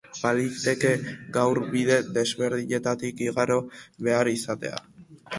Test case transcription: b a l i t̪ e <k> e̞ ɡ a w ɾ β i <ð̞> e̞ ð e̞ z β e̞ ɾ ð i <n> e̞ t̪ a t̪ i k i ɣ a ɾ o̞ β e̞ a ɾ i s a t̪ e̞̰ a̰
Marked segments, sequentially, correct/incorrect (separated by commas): correct, correct, incorrect